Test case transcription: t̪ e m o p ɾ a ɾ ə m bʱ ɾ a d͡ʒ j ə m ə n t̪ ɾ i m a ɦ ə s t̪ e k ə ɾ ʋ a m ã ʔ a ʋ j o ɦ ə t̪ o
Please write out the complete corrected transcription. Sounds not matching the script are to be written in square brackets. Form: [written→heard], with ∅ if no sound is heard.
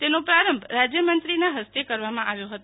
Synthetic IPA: t̪ e [m→n] o p ɾ a ɾ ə m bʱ ɾ a d͡ʒ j ə m ə n t̪ ɾ i [m→n] a ɦ ə s t̪ e k ə ɾ ʋ a m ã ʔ a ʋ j o ɦ ə t̪ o

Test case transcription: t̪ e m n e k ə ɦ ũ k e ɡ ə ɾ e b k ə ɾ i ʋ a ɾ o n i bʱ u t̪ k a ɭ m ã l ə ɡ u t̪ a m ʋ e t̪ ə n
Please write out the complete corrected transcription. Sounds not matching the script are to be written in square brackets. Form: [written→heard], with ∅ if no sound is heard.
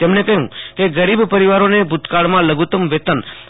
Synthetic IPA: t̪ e m n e k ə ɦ ũ k e ɡ ə ɾ [e→i] b [k→p] ə ɾ i ʋ a ɾ o n [i→e] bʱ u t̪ k a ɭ m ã l ə ɡ u t̪ [a→ə] m ʋ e t̪ ə n

